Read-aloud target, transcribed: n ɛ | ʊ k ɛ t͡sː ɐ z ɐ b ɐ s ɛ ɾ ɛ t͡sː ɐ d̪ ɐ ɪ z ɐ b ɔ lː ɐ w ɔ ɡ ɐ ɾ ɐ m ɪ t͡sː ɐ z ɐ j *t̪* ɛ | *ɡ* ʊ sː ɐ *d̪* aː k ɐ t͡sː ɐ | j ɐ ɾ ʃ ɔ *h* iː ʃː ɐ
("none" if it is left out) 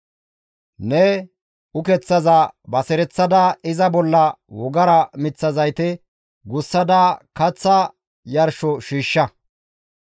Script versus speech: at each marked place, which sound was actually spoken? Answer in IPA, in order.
t̪, ɡ, d̪, ʃ

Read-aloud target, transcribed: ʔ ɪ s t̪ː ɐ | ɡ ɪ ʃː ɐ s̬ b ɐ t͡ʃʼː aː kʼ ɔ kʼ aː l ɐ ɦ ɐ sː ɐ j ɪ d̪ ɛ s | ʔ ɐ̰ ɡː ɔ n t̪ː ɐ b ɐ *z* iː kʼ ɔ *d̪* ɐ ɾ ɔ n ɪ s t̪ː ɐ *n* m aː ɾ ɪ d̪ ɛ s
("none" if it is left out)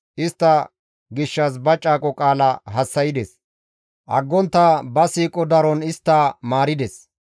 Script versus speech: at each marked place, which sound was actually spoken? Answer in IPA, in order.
s, d̪, none

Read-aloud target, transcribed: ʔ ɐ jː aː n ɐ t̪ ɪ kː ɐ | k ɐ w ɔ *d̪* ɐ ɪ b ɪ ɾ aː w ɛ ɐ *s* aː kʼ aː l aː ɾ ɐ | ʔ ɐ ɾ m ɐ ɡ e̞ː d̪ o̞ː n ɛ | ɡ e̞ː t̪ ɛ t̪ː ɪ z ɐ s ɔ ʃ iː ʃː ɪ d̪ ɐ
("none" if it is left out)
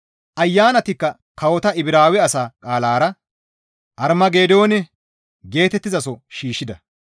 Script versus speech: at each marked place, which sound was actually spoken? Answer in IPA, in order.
t̪, s

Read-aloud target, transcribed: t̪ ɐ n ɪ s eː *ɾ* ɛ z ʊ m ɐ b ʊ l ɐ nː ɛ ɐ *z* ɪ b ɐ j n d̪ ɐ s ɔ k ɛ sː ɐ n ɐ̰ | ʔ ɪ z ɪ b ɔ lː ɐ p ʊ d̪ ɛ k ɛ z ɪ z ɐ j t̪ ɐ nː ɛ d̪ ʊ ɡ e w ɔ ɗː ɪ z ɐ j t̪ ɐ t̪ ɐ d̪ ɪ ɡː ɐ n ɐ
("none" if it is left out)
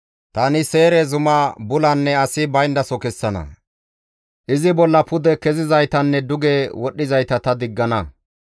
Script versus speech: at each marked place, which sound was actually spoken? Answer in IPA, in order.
ɾ, s

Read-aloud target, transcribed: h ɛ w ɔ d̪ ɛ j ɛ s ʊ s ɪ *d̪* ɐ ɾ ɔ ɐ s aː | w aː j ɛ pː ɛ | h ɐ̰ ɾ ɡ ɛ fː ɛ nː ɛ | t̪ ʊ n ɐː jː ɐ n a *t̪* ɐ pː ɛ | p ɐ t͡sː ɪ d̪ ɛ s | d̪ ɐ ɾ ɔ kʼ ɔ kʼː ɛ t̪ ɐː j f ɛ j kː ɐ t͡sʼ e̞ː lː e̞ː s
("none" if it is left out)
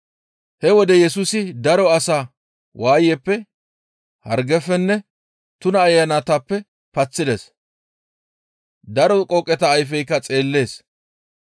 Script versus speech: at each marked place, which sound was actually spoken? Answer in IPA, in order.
d̪, t̪

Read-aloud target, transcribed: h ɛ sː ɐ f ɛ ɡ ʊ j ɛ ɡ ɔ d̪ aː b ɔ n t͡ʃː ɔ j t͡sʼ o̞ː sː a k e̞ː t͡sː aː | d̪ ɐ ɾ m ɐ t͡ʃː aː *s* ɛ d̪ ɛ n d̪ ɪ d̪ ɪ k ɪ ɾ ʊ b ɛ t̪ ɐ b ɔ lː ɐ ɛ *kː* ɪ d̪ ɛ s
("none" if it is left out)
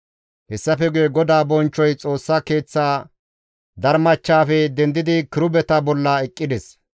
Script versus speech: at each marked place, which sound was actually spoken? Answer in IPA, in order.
f, kʼː

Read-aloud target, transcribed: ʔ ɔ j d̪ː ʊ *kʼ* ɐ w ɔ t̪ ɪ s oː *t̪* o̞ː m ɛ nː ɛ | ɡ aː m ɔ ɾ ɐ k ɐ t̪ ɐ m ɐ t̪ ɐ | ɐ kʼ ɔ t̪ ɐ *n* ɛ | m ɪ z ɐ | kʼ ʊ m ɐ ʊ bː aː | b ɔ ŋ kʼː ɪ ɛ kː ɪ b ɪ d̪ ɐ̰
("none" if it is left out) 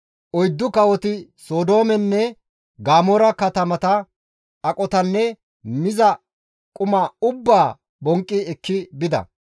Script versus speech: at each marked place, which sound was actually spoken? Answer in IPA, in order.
k, d̪, nː

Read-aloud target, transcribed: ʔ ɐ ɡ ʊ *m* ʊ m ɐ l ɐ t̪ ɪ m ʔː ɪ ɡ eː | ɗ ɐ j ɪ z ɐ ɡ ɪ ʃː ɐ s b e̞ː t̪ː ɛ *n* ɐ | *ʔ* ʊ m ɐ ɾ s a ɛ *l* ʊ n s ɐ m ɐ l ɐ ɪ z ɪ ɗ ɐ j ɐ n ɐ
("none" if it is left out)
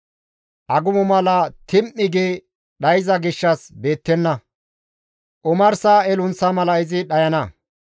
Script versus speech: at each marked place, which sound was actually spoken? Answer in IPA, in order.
m, nː, ʔ, l

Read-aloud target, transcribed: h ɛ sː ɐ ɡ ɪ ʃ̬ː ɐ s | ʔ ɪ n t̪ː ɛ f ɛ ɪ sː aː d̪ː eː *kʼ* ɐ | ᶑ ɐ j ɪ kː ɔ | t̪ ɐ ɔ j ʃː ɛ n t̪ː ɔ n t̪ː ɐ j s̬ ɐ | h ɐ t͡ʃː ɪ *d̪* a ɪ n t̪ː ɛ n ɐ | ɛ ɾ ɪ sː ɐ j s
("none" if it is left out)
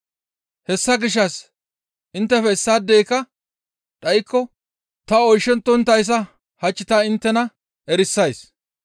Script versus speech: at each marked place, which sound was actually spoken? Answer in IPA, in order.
k, t̪

